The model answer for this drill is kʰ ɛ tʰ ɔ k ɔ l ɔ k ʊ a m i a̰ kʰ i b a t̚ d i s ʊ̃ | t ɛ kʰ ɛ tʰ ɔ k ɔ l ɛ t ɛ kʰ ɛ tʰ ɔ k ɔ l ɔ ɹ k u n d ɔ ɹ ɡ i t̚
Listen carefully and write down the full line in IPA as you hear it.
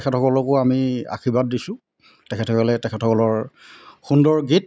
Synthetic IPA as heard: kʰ ɛ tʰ ɔ k ɔ l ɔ k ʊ a m i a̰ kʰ i b a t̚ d i s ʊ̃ | t ɛ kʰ ɛ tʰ ɔ k ɔ l ɛ t ɛ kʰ ɛ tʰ ɔ k ɔ l ɔ ɹ x u n d ɔ ɹ ɡ i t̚